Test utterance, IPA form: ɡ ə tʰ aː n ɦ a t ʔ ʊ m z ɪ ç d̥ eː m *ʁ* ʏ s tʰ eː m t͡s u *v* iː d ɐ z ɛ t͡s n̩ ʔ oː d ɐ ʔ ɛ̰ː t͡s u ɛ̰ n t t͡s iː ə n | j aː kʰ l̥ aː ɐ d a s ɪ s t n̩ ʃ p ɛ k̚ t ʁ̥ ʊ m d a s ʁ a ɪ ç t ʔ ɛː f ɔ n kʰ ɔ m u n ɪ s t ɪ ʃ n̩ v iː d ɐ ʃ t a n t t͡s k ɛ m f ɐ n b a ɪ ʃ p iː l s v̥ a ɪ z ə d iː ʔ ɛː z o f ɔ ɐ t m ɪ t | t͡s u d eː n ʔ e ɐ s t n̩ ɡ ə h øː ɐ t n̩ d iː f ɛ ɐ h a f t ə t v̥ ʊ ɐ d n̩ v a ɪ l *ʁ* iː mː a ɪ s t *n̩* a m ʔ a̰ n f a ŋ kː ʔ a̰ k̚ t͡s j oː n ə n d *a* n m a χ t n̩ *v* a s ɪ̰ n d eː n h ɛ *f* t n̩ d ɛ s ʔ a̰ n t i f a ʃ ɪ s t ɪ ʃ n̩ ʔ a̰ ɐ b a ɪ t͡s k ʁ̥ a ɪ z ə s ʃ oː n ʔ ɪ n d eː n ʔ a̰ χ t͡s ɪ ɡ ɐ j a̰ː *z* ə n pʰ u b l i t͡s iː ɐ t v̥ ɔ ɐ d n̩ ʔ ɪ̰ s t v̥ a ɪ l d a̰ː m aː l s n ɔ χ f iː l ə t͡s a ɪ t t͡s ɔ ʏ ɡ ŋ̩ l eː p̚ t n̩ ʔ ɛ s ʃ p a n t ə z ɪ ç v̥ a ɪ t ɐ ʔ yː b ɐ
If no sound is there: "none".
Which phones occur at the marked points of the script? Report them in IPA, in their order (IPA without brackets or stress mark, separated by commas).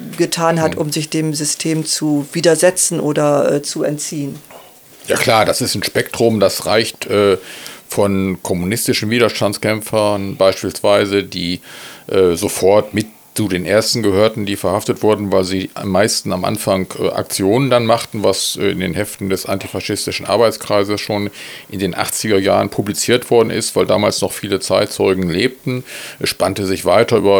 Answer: z, v, z, n̩, a, v, f, ʁ